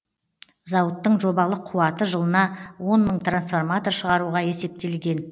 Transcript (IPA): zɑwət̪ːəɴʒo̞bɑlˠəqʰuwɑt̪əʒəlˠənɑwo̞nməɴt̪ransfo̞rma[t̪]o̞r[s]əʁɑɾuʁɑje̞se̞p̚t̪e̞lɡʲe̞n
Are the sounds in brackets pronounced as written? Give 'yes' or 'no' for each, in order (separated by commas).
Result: yes, no